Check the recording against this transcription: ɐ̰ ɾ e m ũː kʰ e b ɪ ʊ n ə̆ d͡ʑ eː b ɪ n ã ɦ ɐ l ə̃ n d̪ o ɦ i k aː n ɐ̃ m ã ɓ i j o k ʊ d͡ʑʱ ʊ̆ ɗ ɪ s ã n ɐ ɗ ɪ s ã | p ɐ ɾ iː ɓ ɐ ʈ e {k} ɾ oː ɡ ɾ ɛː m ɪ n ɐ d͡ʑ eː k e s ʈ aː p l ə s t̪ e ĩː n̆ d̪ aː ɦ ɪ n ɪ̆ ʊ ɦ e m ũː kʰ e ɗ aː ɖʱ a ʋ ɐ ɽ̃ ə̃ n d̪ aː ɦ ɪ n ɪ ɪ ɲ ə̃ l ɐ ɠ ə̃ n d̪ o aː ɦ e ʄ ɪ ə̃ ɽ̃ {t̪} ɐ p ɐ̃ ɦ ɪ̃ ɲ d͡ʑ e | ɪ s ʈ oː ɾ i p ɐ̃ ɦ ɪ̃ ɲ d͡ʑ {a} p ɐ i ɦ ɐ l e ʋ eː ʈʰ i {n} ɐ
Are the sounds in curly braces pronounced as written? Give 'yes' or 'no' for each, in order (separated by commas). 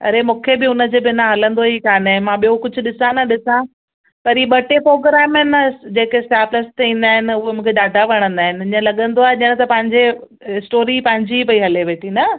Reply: no, yes, no, yes